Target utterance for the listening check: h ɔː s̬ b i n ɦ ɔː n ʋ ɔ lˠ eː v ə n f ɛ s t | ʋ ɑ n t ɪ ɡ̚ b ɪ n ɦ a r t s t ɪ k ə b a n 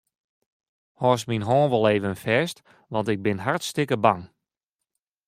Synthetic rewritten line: h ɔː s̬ m i n ɦ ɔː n ʋ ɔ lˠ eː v ə n f ɛ s t | ʋ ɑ n t ɪ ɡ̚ b ɪ n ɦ a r t s t ɪ k ə b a ŋ